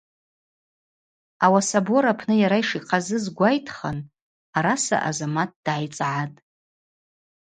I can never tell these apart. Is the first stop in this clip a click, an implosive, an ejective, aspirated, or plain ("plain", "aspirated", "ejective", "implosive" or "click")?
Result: plain